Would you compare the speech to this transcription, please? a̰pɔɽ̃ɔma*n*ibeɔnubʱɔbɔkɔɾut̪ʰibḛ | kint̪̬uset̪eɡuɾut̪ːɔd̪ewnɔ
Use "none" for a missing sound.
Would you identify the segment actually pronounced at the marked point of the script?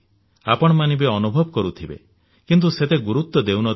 n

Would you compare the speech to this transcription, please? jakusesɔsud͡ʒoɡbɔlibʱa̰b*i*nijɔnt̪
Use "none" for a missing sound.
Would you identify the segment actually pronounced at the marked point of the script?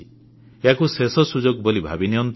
i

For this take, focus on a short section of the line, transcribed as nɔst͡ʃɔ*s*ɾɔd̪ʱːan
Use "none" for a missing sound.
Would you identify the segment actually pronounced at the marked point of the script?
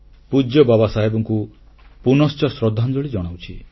s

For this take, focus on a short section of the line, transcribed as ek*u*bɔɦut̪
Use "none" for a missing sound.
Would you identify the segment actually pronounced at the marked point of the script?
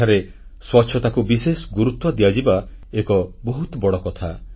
ɔ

